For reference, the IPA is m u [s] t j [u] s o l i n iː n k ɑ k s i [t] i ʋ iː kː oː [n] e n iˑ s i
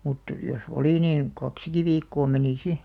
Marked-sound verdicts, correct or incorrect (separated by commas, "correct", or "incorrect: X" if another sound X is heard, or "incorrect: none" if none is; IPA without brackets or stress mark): incorrect: none, incorrect: o, incorrect: k, incorrect: m